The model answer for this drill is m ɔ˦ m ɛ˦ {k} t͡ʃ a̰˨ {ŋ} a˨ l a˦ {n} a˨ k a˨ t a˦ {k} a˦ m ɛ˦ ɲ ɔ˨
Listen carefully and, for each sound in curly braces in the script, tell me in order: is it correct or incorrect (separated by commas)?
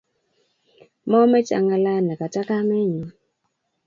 incorrect, correct, correct, correct